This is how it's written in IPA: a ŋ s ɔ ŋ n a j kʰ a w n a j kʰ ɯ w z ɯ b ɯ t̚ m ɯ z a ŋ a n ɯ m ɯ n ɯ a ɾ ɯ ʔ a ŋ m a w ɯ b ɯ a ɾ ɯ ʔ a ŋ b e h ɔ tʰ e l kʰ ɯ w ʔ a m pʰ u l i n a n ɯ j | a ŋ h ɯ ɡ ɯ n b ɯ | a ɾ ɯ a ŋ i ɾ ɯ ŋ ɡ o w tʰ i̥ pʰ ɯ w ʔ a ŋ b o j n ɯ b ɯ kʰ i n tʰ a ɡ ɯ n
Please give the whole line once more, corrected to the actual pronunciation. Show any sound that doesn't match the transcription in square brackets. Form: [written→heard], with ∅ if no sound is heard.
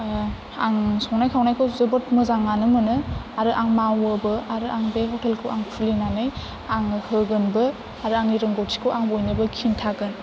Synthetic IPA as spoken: a ŋ s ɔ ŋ n a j kʰ a w n a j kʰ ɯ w z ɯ b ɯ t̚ m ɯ z a ŋ a n ɯ m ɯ n ɯ a ɾ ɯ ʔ a ŋ m a w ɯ b ɯ a ɾ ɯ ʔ a ŋ b e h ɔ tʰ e l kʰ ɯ w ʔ a [m→ŋ] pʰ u l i n a n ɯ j | a ŋ h ɯ ɡ ɯ n b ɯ | a ɾ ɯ a ŋ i ɾ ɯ ŋ ɡ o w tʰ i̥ [pʰ→kʰ] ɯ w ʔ a ŋ b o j n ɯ b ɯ kʰ i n tʰ a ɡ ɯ n

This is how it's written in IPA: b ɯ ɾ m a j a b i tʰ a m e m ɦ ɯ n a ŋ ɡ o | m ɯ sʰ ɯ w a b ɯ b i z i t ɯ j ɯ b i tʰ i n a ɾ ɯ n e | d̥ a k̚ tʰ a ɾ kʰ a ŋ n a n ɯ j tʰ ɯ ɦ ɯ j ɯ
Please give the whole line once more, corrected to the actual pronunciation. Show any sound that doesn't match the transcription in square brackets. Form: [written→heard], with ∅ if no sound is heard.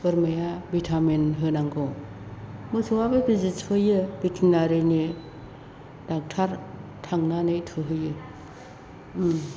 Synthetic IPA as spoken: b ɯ ɾ m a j a b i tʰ a m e [m→n] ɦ ɯ n a ŋ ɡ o | m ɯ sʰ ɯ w a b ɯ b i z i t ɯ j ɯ b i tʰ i n a ɾ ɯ n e | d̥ a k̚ tʰ a ɾ [kʰ→tʰ] a ŋ n a n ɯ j tʰ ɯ ɦ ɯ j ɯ

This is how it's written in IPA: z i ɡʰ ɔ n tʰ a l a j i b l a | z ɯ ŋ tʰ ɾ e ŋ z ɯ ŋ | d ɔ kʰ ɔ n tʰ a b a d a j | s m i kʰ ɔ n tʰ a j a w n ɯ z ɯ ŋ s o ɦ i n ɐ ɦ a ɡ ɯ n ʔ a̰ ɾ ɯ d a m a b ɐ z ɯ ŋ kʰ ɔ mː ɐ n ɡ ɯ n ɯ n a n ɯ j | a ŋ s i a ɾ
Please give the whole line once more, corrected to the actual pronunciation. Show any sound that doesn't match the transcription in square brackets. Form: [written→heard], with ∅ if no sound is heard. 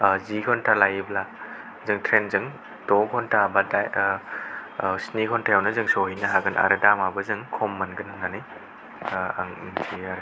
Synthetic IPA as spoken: z i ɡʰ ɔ n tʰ a l a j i b l a | z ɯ ŋ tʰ ɾ e [ŋ→n] z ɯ ŋ | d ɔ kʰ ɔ n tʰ a b a d a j | s [m→n] i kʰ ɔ n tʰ a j a w n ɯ z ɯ ŋ s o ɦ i n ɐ ɦ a ɡ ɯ n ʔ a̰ ɾ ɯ d a m a b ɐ z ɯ ŋ kʰ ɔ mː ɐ n ɡ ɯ n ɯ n a n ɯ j | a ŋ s i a ɾ

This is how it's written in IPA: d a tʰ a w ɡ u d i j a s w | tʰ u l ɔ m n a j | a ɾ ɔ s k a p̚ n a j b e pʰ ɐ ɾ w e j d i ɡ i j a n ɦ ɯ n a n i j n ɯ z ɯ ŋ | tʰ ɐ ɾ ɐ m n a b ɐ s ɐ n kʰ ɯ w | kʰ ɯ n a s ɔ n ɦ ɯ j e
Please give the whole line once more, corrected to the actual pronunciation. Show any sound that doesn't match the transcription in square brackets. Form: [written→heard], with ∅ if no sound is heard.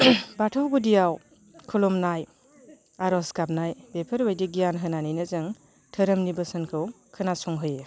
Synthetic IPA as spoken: [d→b] a tʰ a w ɡ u d i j a [s→∅] w | [tʰ→kʰ] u l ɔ m n a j | a ɾ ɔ s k a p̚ n a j b e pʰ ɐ ɾ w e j d i ɡ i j a n ɦ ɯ n a n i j n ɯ z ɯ ŋ | tʰ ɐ ɾ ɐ m n [a→i] b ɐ s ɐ n kʰ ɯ w | kʰ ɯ n a s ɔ [n→ŋ] ɦ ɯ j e

